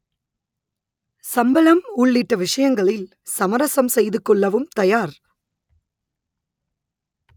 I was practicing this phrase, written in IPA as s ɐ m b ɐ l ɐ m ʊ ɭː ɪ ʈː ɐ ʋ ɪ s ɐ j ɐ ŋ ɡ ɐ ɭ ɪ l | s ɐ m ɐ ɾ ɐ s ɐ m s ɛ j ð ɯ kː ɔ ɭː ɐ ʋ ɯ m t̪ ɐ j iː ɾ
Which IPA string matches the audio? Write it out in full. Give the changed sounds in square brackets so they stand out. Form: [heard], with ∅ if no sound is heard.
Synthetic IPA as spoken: s ɐ m b ɐ l ɐ m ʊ ɭː ɪ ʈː ɐ ʋ ɪ [ʂ] ɐ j ɐ ŋ ɡ ɐ ɭ ɪ l | s ɐ m ɐ ɾ ɐ s ɐ m s ɛ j ð ɯ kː ɔ ɭː ɐ ʋ ɯ m t̪ ɐ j [aː] ɾ

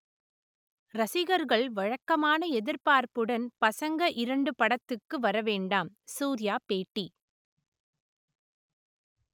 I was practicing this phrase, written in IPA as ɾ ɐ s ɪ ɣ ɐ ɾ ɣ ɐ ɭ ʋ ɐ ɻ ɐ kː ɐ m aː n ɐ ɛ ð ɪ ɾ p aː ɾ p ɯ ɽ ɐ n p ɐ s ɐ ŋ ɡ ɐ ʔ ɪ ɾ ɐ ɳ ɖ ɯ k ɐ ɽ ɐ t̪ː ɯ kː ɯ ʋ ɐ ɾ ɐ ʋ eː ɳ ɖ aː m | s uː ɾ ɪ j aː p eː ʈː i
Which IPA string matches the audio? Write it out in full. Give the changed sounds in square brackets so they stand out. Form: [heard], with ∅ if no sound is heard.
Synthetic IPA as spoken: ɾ ɐ s ɪ ɣ ɐ ɾ ɣ ɐ ɭ ʋ ɐ ɻ ɐ kː ɐ m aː n ɐ ɛ ð ɪ ɾ p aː ɾ p ɯ ɽ ɐ n p ɐ s ɐ ŋ ɡ ɐ ʔ ɪ ɾ ɐ ɳ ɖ ɯ [p] ɐ ɽ ɐ t̪ː ɯ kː ɯ ʋ ɐ ɾ ɐ ʋ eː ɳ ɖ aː m | s uː ɾ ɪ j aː p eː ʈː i

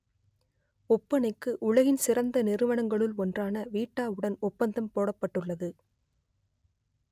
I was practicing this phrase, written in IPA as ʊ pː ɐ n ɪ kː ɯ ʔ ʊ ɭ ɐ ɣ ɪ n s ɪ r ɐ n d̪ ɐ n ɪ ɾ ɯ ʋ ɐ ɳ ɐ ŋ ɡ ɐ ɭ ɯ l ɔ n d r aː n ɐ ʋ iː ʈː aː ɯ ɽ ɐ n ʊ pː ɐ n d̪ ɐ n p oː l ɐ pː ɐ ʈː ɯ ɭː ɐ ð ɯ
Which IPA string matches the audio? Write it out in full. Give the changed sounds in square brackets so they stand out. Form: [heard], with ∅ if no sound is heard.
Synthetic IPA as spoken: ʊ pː ɐ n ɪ kː ɯ ʔ ʊ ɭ ɐ ɣ ɪ n s ɪ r ɐ n d̪ ɐ n ɪ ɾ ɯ ʋ ɐ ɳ ɐ ŋ ɡ ɐ ɭ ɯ l ɔ n d r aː n ɐ ʋ iː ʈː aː ɯ ɽ ɐ n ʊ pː ɐ n d̪ ɐ [m] p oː [ɽ] ɐ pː ɐ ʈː ɯ ɭː ɐ ð ɯ

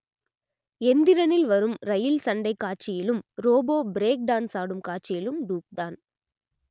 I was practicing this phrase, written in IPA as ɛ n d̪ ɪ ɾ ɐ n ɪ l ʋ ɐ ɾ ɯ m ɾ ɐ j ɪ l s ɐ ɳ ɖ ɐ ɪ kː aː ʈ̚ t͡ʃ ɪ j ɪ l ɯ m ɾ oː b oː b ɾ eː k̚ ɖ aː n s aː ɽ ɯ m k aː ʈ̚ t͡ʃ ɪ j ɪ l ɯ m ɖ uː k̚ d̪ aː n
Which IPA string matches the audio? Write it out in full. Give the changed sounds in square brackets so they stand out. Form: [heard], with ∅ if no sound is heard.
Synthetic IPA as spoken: ɛ n d̪ ɪ ɾ ɐ n ɪ l ʋ ɐ ɾ ɯ m ɾ ɐ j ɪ l s ɐ ɳ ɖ ɐ ɪ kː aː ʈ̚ t͡ʃ ɪ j ɪ l ɯ m ɾ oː b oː b ɾ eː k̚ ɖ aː n s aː ɽ ɯ m k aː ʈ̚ t͡ʃ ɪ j ɪ l ɯ m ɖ uː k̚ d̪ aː n

